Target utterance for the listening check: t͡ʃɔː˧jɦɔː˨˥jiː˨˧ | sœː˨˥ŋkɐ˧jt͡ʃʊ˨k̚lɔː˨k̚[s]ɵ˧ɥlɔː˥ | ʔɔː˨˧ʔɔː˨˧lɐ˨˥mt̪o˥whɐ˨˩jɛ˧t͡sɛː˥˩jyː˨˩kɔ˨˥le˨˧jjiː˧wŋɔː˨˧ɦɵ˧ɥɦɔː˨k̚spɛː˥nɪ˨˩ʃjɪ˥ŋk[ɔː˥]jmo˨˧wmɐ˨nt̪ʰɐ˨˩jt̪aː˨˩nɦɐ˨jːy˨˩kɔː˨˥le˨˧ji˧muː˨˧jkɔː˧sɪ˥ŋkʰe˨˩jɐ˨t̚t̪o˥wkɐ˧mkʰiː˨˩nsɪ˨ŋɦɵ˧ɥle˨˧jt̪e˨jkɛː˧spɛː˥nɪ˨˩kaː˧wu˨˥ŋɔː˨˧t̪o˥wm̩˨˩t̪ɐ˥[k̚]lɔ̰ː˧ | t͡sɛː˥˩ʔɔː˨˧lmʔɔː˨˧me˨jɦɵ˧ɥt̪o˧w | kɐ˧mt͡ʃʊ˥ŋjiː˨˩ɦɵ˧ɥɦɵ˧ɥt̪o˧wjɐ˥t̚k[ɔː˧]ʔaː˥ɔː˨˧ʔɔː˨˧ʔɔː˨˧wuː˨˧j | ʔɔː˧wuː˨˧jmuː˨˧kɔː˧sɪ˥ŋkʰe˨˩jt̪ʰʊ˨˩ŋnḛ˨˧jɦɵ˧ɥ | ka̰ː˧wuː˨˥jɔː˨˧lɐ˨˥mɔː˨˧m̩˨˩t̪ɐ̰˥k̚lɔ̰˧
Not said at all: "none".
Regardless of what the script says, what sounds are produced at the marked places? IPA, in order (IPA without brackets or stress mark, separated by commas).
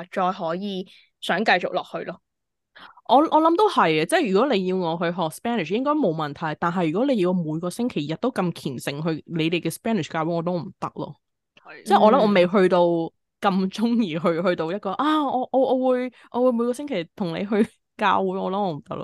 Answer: h, ɔː˥, k̚, ɔː˧